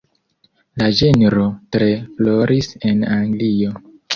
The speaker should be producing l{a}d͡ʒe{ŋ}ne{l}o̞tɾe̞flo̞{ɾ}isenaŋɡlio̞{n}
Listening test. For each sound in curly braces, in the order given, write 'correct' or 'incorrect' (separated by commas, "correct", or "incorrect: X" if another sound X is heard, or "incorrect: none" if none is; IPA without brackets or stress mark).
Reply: correct, incorrect: none, incorrect: ɾ, correct, incorrect: none